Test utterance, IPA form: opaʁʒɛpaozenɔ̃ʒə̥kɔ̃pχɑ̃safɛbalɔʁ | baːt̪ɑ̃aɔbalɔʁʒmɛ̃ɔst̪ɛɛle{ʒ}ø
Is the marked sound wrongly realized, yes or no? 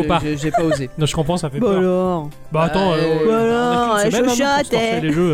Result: no